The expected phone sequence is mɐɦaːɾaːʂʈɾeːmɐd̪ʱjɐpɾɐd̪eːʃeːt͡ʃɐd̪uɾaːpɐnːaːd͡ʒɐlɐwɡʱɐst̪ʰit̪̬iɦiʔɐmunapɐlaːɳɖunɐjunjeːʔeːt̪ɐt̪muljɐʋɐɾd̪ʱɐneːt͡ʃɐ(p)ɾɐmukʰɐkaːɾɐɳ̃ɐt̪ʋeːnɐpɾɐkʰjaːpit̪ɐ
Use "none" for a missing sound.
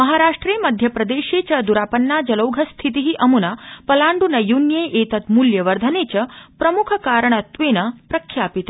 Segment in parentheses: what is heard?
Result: p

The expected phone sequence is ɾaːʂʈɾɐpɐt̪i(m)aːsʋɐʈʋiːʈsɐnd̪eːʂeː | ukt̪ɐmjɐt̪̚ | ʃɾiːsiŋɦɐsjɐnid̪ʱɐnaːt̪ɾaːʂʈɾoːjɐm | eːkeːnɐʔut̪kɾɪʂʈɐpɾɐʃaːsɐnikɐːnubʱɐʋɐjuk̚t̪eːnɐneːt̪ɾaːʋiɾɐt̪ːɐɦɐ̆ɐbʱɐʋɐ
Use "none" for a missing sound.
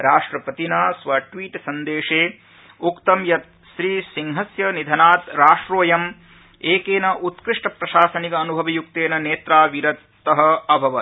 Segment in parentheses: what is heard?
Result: n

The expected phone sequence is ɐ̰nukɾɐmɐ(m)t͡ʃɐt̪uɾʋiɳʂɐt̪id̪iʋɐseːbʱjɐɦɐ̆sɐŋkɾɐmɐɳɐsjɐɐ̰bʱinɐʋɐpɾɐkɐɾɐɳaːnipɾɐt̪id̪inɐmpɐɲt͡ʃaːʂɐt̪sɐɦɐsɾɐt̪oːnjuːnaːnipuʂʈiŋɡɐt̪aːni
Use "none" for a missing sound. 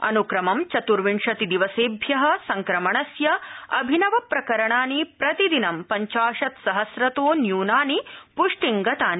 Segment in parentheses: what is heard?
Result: m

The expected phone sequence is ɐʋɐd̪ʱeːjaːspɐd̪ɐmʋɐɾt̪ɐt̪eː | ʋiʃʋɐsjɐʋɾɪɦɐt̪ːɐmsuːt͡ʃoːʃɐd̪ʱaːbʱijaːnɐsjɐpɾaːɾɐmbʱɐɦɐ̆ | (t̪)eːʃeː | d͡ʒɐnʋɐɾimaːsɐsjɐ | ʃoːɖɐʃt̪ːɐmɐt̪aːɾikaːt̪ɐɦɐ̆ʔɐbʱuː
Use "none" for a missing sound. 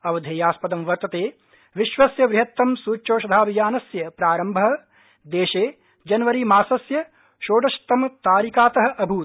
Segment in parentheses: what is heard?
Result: d̪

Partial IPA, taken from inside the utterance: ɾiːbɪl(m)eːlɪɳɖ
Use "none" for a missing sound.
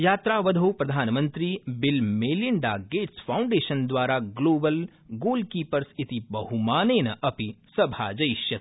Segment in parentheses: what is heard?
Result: m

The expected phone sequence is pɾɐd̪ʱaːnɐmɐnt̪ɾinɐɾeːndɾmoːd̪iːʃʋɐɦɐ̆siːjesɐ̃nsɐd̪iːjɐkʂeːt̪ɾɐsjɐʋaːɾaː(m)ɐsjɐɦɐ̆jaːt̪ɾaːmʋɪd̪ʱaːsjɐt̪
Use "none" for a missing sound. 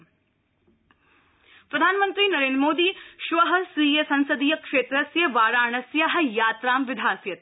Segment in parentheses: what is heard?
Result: ɳ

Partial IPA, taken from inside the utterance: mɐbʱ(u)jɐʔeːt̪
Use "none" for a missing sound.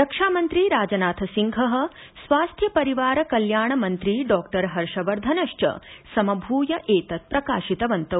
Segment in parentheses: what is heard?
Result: uː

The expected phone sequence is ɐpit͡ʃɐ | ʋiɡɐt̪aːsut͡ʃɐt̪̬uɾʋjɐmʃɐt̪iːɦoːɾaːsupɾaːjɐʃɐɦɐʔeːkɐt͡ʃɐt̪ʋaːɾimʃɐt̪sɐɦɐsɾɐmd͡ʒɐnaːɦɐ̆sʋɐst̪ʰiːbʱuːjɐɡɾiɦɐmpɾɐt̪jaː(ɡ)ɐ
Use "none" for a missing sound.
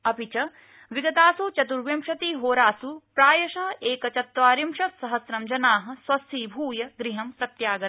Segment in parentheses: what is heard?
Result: ɡ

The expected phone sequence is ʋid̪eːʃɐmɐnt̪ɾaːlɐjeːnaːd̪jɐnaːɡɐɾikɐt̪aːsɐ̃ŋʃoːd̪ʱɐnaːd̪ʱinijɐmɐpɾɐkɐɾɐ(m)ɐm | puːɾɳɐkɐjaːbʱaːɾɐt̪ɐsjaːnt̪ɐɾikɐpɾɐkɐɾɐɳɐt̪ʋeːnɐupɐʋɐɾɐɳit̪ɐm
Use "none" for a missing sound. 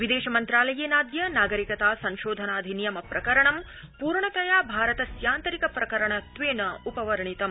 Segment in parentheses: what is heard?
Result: ɳ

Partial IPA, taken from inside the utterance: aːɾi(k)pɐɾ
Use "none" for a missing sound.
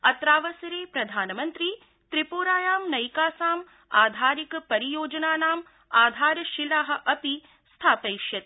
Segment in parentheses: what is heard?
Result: k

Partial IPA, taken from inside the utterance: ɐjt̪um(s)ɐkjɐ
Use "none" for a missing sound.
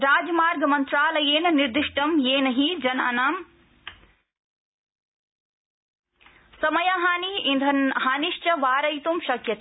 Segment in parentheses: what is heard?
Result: ʃ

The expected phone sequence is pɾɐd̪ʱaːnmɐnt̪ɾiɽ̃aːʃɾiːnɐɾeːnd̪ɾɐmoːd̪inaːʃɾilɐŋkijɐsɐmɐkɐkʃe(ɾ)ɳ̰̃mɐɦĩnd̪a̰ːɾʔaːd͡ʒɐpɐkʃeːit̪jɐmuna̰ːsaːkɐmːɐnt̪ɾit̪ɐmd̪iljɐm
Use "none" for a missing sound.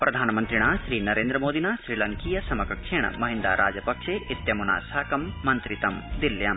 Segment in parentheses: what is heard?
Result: none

